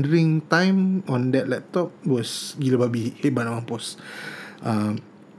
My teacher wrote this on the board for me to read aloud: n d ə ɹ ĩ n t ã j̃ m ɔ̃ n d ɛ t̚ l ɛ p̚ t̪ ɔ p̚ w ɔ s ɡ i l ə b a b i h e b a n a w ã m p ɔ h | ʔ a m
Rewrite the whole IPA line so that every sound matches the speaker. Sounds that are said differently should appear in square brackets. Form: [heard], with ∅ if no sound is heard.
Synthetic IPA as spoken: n d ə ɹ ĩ [ŋ] t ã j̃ m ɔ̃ n d ɛ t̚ l ɛ p̚ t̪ ɔ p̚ w ɔ s ɡ i l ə b a b i h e b a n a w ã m p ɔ [s] | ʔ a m